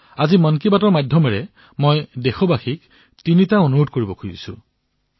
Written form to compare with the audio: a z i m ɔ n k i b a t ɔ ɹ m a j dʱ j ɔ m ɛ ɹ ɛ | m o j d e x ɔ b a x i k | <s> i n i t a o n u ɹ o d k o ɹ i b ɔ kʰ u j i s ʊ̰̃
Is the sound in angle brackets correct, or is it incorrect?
incorrect